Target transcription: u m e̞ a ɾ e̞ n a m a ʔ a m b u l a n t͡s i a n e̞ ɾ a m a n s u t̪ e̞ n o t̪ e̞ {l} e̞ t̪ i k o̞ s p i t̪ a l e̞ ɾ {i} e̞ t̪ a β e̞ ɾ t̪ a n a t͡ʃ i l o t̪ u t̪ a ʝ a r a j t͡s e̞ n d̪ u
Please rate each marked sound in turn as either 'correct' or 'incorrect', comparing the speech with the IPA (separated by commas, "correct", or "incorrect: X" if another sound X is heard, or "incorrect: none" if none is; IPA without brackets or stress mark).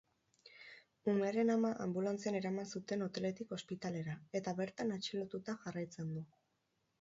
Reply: correct, incorrect: a